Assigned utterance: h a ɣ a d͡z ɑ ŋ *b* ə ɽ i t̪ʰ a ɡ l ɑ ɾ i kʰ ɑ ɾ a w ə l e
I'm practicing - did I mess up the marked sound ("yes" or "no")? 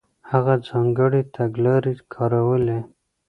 yes